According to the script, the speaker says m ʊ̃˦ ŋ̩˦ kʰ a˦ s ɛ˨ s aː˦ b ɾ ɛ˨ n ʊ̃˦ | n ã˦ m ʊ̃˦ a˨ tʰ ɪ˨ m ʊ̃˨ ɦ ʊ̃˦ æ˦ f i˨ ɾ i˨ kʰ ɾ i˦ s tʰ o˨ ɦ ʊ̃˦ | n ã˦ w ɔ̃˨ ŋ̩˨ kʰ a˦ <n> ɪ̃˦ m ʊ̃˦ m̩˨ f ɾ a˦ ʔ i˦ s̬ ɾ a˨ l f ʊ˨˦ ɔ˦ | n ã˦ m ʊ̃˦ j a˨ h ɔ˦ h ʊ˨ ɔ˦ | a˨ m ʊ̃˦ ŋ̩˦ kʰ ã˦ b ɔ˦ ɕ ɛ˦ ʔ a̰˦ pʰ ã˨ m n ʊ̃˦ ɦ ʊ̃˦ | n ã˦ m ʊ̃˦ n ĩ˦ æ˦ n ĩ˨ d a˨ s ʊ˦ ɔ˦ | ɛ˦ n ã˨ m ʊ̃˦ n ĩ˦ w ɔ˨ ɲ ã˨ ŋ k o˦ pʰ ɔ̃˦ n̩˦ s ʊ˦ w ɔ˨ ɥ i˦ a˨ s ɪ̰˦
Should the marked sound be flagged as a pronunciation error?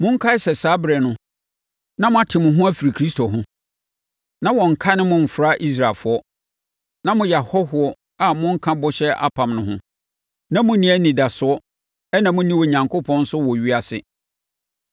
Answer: no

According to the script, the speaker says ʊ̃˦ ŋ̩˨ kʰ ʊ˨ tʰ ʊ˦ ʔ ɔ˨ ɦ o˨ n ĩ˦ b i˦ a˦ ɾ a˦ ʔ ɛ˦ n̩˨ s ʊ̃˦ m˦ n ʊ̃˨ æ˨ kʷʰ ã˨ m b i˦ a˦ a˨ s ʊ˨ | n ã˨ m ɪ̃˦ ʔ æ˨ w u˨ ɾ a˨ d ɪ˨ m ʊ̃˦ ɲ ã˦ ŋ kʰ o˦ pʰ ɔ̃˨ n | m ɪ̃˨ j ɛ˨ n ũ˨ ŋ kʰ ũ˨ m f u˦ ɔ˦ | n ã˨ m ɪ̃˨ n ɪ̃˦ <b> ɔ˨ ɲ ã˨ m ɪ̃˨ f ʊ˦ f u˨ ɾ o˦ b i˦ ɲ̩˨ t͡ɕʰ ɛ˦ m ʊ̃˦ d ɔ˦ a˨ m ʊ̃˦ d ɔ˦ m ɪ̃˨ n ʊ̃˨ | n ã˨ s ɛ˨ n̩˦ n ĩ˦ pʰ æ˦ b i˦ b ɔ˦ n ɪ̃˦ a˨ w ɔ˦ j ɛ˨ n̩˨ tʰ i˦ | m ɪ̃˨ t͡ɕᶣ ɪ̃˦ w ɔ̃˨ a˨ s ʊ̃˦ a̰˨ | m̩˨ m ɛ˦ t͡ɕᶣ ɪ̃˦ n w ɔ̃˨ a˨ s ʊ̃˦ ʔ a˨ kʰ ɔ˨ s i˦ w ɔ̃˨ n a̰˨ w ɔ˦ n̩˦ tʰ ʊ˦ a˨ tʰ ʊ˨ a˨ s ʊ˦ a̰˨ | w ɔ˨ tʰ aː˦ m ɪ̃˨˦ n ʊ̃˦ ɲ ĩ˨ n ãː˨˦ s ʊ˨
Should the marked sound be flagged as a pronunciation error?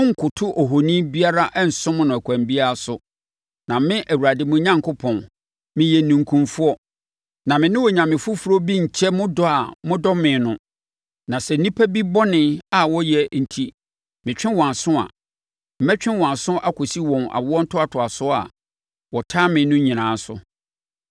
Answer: yes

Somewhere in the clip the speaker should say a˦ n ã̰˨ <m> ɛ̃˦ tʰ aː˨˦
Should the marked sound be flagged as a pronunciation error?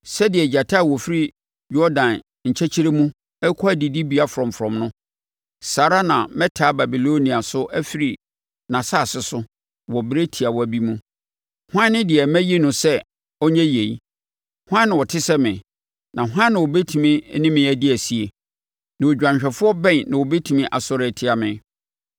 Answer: no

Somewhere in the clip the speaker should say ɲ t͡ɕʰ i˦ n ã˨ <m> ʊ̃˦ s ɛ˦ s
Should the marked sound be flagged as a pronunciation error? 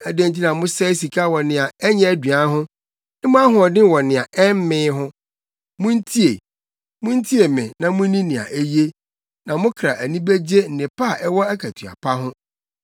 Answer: no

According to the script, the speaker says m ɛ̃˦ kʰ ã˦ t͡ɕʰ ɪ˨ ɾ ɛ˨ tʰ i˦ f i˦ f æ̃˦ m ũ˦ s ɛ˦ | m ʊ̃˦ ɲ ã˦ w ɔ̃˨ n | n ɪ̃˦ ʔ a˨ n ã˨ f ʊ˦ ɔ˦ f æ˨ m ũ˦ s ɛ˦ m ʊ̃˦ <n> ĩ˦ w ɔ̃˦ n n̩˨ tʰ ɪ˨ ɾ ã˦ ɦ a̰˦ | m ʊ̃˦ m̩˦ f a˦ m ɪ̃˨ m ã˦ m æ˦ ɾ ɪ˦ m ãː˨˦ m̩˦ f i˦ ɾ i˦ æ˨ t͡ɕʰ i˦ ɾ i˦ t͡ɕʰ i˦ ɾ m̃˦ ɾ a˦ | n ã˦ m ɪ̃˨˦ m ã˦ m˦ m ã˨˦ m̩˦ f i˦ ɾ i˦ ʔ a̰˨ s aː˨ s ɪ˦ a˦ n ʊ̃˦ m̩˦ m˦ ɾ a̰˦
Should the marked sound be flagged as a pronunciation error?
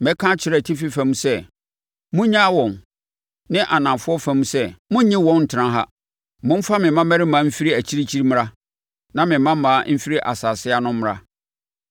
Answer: yes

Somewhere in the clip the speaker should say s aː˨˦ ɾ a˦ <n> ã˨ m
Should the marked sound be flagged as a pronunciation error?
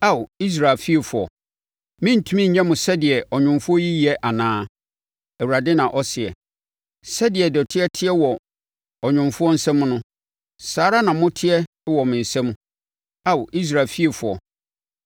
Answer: no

